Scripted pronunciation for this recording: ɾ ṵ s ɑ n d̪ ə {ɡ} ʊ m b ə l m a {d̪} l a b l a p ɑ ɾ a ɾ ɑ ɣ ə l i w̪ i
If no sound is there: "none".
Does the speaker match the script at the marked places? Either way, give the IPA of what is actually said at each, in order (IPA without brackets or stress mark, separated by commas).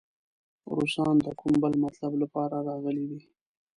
k, t̪